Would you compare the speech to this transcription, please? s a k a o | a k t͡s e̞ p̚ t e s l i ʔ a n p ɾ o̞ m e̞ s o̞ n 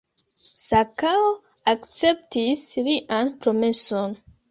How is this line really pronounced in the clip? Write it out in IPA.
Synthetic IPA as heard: s a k a o | a k t͡s e̞ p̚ t i s l i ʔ a n p ɾ o̞ m e̞ s o̞ n